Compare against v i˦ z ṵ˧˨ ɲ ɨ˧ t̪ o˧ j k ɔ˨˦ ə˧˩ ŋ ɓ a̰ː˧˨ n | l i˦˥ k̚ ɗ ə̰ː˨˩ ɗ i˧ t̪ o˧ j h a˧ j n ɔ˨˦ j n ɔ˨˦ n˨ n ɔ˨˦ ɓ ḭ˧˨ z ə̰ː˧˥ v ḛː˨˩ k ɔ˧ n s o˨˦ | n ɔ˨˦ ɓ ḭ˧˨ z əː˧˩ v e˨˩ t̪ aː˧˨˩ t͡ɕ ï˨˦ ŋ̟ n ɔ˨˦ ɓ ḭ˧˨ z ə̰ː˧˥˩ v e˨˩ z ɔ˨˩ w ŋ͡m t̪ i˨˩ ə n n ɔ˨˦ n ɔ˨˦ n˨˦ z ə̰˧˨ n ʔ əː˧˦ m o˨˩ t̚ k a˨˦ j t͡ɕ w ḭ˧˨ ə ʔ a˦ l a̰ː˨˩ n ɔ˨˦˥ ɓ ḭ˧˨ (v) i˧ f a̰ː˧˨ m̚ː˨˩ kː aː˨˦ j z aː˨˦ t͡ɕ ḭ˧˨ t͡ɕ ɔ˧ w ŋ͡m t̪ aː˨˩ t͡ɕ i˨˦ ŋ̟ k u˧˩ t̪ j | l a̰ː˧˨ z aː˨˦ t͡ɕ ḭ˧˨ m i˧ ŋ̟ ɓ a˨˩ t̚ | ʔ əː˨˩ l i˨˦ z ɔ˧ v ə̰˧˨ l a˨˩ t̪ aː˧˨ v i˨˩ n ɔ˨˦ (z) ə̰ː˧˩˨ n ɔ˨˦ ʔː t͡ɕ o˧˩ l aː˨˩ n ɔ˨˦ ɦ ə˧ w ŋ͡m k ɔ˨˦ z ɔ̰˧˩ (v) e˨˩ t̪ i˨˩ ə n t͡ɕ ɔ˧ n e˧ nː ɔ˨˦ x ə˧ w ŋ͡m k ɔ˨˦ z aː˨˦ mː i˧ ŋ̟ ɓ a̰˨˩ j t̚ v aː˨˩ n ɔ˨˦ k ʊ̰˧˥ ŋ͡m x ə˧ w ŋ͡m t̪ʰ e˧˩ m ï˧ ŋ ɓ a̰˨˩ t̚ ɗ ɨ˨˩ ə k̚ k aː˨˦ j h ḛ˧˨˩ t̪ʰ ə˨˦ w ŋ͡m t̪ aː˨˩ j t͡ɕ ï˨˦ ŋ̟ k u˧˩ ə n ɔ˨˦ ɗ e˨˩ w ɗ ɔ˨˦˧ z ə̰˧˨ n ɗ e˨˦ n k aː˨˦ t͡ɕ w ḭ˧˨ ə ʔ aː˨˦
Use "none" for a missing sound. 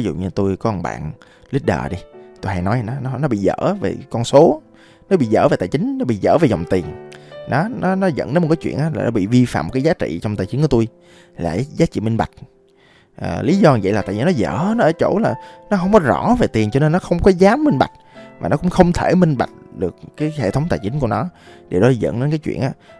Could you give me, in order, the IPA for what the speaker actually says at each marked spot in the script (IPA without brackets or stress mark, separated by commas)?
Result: v, z, v